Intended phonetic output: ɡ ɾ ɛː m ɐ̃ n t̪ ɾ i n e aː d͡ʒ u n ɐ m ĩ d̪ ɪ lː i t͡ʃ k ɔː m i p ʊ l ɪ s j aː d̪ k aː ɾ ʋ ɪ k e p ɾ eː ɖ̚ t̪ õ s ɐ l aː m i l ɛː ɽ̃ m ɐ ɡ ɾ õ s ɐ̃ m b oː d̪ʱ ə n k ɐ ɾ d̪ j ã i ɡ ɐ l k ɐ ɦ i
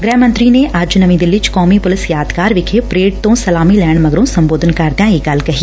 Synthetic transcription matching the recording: ɡ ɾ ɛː m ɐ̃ n t̪ ɾ i n e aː d͡ʒ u n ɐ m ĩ d̪ ɪ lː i t͡ʃ k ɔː m i p ʊ l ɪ s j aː d̪ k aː ɾ ʋ ɪ kʰ e p ɾ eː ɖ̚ t̪ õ s ɐ l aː m i l ɛː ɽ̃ m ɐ ɡ ɾ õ s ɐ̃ m b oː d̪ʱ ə n k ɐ ɾ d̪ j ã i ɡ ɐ l k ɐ ɦ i